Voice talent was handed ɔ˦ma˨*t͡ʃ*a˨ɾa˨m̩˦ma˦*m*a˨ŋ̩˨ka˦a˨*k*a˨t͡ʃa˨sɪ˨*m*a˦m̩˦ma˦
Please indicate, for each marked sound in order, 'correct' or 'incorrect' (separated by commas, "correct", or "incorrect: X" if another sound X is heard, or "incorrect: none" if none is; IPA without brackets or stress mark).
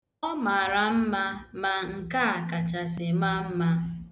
incorrect: none, correct, correct, correct